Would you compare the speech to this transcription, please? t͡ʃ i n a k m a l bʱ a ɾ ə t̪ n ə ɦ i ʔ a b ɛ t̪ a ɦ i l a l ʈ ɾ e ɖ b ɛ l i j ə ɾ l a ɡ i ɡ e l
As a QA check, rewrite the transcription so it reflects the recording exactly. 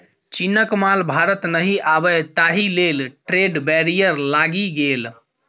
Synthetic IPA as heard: t͡ʃ i n ə k m a l bʱ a ɾ ə t̪ n ə ɦ i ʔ a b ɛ t̪ a ɦ i l e l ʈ ɾ e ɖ b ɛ ɾ i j ə ɾ l a ɡ i ɡ e l